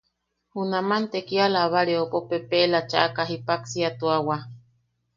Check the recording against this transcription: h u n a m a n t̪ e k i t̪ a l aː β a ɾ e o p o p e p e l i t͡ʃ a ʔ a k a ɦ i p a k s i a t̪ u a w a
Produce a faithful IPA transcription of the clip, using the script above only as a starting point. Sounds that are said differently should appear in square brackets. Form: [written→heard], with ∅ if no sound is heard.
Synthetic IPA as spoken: h u n a m a n t̪ e k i [t̪→∅] a l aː β a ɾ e o p o p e p e l [i→a] t͡ʃ a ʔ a k a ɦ i p a k s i a t̪ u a w a